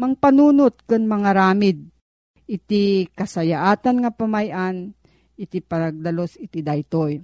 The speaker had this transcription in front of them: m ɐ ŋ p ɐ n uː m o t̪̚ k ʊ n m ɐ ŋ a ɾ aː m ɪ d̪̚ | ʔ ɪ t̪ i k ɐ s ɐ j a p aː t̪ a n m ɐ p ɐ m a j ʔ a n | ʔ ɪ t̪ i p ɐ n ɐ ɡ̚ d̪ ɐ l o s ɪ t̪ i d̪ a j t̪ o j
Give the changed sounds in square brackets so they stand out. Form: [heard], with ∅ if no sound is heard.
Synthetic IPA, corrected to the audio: m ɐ ŋ p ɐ n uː [n] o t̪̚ k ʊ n m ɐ ŋ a ɾ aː m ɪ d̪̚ | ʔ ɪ t̪ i k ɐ s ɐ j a [ʔ] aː t̪ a n [ŋ] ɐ p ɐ m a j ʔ a n | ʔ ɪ t̪ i p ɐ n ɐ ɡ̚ d̪ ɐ l o s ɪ t̪ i d̪ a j t̪ o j